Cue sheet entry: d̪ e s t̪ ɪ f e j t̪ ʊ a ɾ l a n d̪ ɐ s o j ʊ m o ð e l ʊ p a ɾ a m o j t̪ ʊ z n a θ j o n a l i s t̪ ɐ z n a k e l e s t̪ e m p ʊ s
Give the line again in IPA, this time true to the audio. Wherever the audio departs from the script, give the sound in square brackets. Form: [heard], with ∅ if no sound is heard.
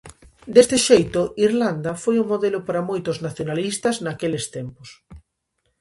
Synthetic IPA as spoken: d̪ e s t̪ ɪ [ʃ] e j t̪ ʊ [i] ɾ l a n d̪ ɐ [f] o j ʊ m o ð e l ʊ p a ɾ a m o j t̪ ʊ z n a θ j o n a l i s t̪ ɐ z n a k e l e s t̪ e m p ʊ s